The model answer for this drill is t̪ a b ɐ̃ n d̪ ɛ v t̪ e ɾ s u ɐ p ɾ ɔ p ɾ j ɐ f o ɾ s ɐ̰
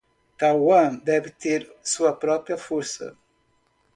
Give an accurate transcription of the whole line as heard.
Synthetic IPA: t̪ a w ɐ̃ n d̪ ɛ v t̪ e ɾ s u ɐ p ɾ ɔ p ɾ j ɐ f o ɾ s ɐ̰